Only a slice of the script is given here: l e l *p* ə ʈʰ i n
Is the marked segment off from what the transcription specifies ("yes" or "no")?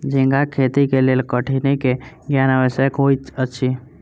yes